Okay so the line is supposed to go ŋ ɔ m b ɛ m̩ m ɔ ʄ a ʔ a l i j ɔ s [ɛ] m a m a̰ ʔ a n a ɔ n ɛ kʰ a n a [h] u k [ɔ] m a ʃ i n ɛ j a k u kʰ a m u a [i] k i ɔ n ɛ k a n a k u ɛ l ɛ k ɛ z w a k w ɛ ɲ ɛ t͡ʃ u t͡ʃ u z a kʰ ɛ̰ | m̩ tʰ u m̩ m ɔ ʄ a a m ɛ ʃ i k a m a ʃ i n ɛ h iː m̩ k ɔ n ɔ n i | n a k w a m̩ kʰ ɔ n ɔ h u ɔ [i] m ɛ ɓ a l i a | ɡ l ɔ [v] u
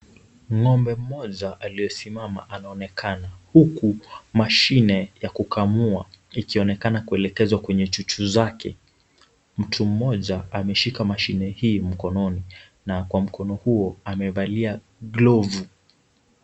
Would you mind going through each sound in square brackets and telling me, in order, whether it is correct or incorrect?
incorrect, correct, incorrect, correct, incorrect, correct

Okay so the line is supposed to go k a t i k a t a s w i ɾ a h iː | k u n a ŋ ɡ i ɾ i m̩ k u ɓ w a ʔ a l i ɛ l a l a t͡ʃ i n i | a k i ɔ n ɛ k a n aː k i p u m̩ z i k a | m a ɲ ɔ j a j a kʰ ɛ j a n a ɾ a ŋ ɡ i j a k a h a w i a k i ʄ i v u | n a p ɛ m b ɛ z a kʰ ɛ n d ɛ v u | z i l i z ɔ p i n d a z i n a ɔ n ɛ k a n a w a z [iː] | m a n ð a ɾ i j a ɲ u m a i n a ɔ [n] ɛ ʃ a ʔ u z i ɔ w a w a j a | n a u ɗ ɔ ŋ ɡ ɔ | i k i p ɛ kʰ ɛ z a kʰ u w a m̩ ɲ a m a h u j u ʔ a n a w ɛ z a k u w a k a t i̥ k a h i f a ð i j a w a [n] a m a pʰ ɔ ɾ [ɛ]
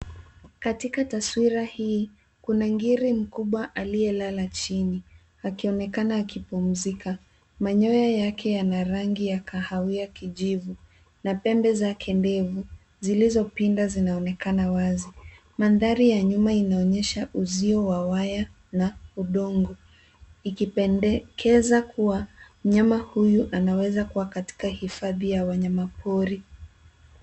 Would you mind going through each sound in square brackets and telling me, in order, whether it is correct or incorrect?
incorrect, incorrect, incorrect, incorrect

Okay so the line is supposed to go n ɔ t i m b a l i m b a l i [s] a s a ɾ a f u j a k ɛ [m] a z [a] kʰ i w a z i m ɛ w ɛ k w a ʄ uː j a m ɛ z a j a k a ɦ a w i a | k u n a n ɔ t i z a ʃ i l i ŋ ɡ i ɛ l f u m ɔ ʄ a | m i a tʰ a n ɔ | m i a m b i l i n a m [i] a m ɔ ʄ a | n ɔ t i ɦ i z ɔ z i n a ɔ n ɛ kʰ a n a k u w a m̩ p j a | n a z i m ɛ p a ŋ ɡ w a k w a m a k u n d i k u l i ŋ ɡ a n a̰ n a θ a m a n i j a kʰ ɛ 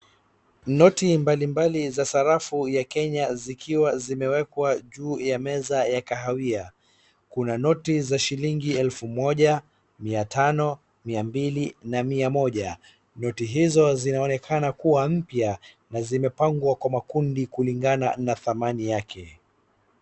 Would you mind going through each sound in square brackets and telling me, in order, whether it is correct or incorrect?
incorrect, incorrect, incorrect, correct

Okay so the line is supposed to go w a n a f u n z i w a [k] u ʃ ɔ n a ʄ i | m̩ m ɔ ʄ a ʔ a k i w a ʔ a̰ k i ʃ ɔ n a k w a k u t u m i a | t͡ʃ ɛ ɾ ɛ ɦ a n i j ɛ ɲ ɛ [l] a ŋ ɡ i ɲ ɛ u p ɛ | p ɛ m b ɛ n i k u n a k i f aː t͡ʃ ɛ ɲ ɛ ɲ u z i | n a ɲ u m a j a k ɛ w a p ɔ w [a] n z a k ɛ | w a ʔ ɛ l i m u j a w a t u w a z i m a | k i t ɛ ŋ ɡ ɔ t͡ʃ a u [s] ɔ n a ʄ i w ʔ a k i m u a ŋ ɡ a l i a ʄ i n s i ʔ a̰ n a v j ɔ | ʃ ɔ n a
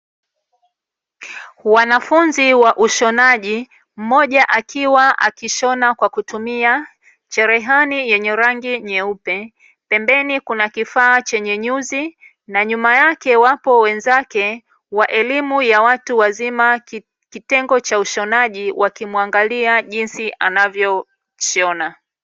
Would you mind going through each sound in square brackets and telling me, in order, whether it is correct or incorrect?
incorrect, incorrect, incorrect, incorrect

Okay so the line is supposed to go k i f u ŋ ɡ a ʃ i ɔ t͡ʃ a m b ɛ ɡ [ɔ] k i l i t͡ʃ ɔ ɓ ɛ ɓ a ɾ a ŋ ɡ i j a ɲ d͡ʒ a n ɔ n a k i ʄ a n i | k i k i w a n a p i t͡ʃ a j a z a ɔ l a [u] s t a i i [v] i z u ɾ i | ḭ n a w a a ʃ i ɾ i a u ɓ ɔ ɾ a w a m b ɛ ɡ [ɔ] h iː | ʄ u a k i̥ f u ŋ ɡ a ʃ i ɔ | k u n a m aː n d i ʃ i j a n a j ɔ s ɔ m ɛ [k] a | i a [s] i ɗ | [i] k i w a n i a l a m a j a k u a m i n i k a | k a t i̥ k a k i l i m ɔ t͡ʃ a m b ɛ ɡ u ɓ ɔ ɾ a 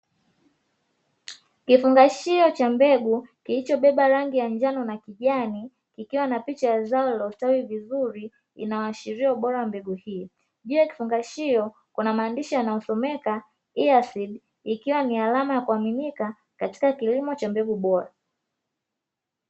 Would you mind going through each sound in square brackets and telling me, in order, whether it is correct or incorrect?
incorrect, correct, correct, incorrect, correct, correct, correct

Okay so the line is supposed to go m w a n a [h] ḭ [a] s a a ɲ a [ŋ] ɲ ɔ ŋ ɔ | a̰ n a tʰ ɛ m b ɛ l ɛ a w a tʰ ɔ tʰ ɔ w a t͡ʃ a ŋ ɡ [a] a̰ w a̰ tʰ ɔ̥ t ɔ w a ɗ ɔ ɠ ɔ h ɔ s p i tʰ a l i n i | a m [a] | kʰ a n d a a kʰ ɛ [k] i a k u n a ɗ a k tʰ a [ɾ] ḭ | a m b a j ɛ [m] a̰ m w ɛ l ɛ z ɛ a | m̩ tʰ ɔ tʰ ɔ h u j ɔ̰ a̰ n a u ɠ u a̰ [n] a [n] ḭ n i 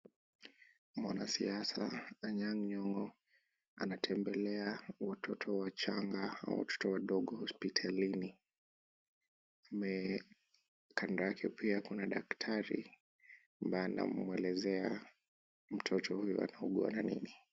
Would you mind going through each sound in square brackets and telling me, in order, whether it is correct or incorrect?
incorrect, correct, correct, correct, incorrect, incorrect, correct, incorrect, correct, correct

